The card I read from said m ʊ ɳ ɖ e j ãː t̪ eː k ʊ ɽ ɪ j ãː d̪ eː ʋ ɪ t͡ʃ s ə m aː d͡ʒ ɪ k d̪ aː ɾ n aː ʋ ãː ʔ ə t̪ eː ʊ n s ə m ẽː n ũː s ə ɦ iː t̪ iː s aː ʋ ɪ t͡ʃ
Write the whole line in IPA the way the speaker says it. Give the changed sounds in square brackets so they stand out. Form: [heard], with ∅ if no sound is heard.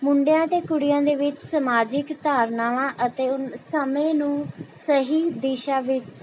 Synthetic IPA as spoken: m ʊ ɳ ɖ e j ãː t̪ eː k ʊ ɽ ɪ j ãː d̪ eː ʋ ɪ t͡ʃ s ə m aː d͡ʒ ɪ k [t̪] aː ɾ n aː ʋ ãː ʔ ə t̪ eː ʊ n s ə m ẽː n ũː s ə ɦ iː [d̪] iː [ʃ] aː ʋ ɪ t͡ʃ